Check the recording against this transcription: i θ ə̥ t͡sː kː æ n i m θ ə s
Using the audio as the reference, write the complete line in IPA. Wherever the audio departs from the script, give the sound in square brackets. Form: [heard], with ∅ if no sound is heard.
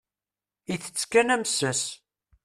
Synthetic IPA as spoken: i θ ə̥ t͡sː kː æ n [æ] m [s] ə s